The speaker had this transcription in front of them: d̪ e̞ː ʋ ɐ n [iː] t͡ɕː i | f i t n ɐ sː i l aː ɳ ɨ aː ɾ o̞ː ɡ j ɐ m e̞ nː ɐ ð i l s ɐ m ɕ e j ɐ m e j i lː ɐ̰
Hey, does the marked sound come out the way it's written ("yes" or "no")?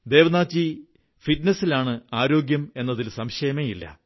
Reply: no